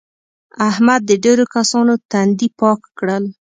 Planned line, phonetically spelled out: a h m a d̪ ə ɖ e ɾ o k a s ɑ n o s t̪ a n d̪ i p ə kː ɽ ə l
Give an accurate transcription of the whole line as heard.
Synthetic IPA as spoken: a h m a d̪ː ə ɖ e ɾ o k a s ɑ n o t̪ a n d̪ i p ɑ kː ɽ ə l